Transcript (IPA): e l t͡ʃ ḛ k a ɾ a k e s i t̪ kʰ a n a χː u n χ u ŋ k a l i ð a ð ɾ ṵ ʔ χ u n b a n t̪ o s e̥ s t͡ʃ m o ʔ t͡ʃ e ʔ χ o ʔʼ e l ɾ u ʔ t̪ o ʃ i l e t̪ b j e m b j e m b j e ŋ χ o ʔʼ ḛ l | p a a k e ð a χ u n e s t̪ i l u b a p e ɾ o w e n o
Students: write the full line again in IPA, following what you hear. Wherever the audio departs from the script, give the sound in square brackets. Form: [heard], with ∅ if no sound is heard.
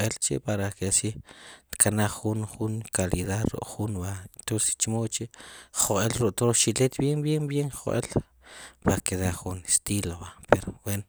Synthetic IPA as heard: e l t͡ʃ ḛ [p] a ɾ a k e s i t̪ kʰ a n a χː u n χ u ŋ k a l i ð a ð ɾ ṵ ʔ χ u n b a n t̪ o s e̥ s t͡ʃ m o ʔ t͡ʃ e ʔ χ o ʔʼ e l ɾ u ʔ t̪ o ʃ i l e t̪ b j e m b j e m b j e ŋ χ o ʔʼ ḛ l | p a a k e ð a χ u n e s t̪ i l [o] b a p e ɾ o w e n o